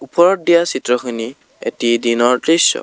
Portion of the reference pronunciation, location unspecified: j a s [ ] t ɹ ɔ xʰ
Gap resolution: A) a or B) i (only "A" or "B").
B